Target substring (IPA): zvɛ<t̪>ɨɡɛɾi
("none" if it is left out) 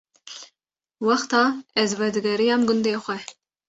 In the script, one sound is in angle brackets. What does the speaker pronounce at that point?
d̪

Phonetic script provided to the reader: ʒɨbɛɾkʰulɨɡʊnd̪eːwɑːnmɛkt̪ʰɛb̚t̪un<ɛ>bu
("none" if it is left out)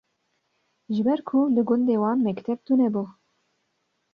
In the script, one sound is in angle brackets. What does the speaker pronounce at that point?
ɛ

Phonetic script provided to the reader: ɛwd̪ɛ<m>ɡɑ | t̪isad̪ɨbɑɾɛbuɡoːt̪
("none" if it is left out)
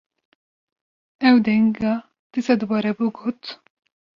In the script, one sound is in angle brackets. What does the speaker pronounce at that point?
ŋ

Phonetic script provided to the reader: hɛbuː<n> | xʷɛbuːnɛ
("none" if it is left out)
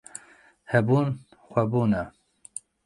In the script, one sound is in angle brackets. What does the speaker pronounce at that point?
n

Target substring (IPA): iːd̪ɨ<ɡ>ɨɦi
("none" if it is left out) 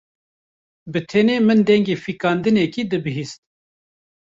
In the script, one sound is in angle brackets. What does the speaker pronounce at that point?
b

